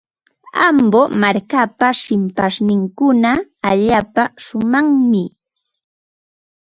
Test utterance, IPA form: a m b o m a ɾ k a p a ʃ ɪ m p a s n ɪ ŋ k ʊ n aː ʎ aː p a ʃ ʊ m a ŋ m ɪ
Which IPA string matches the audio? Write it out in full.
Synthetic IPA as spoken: a m b o m a ɾ k a p a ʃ ɪ m p a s n ɪ ŋ k ʊ n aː ʎ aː p a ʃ ʊ m a ŋ m ɪ